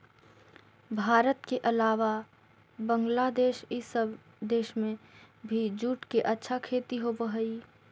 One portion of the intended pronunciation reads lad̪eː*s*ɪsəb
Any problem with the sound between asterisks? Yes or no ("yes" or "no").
yes